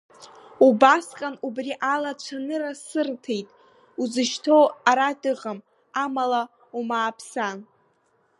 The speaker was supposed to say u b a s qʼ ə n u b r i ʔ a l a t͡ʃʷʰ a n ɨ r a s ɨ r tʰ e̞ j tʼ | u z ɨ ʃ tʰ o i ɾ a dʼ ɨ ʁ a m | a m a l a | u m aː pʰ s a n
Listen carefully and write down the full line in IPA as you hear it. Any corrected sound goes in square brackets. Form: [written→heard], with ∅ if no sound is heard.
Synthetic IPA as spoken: u b a s qʼ [ə→a] n u b r i ʔ a l a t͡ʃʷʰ a n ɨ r a s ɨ r tʰ e̞ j tʼ | u z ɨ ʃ tʰ o [i→a] ɾ a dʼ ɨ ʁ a m | a m a l a | u m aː pʰ s a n